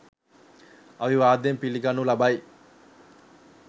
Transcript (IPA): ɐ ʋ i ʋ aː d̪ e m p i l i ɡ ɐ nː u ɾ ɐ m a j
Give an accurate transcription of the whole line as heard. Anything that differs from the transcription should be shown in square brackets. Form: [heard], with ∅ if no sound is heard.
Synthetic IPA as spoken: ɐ ʋ i ʋ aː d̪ e m p i l i ɡ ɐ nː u [l] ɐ [b] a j